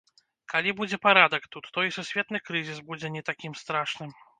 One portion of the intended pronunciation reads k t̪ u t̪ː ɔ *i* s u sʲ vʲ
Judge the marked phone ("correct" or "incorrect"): correct